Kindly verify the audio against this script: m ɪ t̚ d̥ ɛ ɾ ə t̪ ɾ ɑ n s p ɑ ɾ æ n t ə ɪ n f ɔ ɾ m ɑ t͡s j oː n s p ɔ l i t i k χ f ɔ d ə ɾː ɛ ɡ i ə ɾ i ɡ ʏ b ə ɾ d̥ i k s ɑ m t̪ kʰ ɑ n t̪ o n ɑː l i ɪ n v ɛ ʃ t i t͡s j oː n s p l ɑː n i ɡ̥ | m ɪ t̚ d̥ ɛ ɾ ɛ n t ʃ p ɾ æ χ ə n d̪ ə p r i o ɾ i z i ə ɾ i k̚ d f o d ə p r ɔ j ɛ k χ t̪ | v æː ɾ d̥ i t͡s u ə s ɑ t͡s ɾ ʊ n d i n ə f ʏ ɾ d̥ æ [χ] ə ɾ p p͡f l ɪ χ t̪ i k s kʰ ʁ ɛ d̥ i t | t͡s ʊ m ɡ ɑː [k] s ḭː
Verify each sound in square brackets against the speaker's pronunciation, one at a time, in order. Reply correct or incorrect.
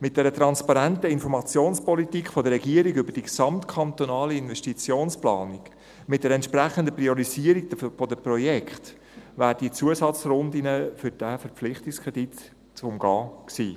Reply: incorrect, correct

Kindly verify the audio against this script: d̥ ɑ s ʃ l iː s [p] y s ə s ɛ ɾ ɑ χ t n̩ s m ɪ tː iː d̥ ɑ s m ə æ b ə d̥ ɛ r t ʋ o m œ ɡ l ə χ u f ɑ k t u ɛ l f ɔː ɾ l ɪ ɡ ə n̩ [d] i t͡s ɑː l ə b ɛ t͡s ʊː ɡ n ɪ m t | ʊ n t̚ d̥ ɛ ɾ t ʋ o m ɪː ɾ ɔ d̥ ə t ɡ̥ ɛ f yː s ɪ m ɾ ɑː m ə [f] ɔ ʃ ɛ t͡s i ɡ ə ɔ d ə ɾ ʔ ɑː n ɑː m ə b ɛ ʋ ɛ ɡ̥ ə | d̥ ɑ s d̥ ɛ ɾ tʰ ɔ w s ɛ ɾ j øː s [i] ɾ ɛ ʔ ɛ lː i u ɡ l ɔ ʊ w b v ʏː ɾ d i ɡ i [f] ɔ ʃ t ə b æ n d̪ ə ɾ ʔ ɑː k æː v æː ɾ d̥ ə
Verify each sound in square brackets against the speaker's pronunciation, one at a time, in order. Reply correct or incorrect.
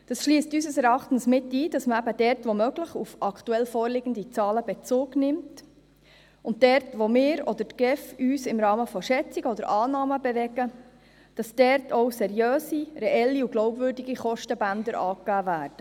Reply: incorrect, correct, correct, correct, incorrect

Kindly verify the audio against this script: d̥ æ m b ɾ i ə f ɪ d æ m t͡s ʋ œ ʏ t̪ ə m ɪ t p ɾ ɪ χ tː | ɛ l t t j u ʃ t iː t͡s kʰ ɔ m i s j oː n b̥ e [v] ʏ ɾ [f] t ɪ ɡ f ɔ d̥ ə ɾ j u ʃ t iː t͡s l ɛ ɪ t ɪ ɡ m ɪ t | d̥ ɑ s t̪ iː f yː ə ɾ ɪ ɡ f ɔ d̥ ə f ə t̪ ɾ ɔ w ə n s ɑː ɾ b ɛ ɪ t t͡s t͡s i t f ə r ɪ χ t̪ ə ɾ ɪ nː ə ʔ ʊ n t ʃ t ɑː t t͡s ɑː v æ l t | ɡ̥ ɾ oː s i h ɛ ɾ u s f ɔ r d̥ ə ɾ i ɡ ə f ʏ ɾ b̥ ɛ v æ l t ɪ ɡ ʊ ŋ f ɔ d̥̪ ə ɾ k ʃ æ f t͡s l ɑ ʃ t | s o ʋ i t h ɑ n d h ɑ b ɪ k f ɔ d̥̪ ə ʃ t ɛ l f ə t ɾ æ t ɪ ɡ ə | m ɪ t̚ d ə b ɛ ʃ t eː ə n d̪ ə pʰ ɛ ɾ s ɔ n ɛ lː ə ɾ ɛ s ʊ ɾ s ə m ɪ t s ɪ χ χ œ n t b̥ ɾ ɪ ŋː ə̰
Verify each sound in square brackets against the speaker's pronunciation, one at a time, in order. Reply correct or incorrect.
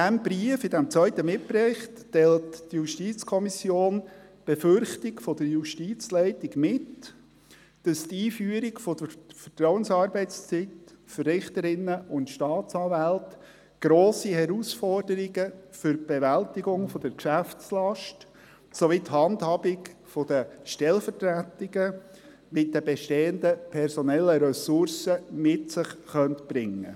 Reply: incorrect, incorrect

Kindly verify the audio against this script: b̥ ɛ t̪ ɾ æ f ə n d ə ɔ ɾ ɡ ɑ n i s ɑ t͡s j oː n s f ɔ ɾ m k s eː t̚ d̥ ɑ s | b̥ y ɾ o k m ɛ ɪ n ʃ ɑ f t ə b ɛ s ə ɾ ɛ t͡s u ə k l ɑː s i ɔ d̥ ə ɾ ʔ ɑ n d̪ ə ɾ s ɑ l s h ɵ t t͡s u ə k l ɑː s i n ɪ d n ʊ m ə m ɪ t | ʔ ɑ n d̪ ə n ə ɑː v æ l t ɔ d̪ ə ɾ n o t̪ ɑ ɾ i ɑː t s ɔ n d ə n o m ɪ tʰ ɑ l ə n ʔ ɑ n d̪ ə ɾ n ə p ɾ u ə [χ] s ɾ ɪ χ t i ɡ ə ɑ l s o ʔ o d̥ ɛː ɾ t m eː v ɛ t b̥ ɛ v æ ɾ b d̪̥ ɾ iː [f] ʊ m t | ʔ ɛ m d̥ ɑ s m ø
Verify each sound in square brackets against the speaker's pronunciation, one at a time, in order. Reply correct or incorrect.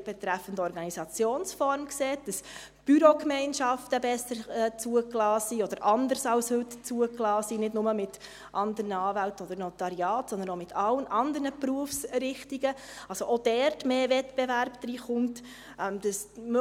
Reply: incorrect, incorrect

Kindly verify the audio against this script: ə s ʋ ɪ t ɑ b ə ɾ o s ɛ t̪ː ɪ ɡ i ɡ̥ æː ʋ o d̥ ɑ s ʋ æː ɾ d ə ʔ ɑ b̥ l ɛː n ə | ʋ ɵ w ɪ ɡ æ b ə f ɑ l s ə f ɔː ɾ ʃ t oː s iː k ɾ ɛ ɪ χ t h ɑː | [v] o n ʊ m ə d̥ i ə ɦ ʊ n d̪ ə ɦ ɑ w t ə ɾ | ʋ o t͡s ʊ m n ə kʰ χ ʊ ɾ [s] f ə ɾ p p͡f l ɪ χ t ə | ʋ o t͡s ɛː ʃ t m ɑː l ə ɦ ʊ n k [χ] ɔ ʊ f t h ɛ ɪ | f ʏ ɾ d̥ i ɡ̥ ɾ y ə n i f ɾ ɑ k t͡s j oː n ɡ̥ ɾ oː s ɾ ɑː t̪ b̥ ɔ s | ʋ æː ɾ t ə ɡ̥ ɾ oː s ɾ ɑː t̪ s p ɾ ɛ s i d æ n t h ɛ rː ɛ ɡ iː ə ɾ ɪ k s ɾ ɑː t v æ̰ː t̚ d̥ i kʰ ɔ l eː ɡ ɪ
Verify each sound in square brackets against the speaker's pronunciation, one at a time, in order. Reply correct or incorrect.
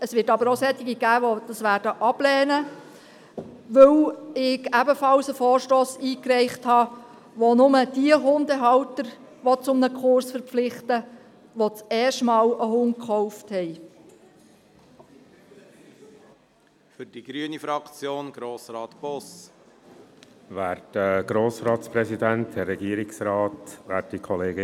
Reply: incorrect, correct, correct

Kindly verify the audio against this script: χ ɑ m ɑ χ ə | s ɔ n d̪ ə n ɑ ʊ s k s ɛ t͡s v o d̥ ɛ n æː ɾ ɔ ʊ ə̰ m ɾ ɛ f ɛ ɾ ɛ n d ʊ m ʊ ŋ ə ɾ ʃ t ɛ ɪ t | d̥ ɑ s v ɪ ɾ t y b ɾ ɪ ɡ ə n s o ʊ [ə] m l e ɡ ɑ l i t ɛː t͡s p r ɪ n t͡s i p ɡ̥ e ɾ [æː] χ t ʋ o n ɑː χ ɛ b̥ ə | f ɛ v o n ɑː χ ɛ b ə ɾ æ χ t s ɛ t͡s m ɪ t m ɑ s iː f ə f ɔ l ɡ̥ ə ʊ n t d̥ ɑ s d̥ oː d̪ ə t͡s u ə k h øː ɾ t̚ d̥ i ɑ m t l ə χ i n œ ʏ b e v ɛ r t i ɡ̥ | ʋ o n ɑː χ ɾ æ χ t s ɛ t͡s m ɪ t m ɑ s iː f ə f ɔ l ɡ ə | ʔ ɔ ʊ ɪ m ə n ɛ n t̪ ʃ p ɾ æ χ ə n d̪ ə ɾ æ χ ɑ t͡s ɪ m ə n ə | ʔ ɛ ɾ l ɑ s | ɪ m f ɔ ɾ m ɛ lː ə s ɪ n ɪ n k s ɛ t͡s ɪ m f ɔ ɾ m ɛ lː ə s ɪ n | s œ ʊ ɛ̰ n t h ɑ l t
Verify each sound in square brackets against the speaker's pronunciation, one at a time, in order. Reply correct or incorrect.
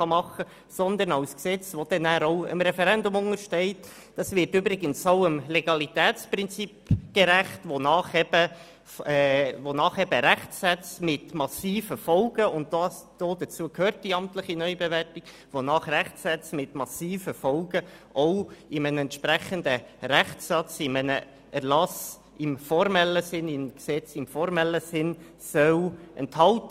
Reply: correct, incorrect

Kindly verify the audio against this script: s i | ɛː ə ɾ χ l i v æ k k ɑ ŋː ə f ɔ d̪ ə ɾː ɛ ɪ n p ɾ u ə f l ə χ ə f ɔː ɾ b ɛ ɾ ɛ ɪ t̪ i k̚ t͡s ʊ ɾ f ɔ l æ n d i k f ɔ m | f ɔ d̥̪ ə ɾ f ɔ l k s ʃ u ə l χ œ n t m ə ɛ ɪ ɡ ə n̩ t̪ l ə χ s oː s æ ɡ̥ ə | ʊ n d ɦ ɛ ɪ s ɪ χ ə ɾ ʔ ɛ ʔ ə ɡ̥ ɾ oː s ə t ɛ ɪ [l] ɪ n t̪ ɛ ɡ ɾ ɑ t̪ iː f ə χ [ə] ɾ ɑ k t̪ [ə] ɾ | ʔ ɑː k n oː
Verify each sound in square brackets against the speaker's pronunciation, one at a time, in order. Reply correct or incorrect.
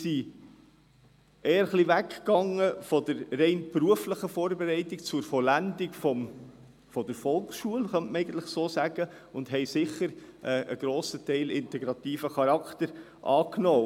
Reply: correct, incorrect, correct

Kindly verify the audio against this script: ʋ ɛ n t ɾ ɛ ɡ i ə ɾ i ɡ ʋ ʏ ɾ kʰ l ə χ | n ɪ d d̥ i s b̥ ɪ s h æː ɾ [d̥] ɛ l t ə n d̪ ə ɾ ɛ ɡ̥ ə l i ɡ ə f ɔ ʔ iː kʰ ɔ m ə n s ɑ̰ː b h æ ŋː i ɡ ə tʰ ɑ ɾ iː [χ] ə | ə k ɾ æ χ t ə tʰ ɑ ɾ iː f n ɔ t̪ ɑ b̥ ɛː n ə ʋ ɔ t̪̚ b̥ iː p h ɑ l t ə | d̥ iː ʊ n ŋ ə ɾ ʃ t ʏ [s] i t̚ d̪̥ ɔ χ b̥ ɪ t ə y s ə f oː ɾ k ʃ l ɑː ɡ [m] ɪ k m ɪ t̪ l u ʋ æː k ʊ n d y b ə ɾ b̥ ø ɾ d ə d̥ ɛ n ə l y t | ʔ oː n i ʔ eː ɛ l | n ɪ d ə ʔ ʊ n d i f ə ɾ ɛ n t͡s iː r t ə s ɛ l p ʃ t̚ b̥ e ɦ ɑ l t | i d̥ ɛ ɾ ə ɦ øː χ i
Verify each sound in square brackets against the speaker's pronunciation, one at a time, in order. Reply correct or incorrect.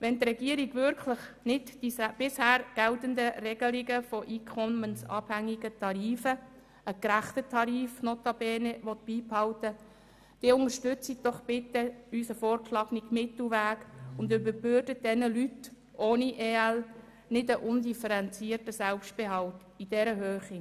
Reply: incorrect, incorrect, incorrect, incorrect

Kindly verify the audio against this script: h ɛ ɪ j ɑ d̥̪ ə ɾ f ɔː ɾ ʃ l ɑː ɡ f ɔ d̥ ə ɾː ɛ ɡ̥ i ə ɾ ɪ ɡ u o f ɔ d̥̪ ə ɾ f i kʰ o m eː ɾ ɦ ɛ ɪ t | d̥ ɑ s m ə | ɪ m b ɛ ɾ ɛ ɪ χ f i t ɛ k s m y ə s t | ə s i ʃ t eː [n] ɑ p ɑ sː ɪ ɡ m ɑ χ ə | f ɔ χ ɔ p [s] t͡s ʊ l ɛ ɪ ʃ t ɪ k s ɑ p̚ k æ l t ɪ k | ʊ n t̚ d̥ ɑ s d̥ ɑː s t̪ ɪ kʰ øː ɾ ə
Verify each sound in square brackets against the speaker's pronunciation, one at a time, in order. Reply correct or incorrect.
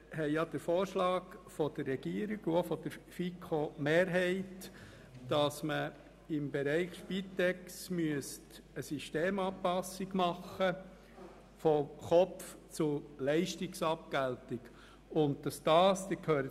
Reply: incorrect, incorrect

